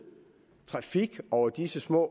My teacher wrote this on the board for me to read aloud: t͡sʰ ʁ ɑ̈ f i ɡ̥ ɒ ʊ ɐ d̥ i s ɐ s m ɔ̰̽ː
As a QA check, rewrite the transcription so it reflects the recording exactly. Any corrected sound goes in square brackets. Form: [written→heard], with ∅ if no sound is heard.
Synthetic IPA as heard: t͡sʰ ʁ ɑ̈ f i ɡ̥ ɒ ʊ ɐ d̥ i s [ɐ→ə] s m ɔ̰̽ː